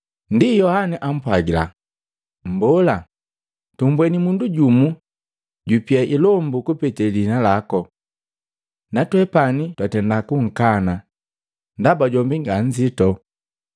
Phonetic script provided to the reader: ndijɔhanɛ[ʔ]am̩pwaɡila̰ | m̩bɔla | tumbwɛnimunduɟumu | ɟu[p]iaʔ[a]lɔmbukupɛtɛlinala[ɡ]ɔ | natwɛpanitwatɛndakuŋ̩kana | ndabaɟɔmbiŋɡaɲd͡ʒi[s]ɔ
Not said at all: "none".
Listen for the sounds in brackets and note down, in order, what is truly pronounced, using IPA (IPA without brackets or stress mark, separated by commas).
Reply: ʔ, p, i, k, t